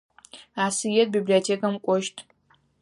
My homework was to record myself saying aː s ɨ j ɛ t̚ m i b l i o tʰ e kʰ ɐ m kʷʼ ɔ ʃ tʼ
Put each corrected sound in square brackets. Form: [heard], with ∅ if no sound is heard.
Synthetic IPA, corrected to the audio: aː s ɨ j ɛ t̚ [b] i b l i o tʰ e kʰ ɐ m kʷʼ ɔ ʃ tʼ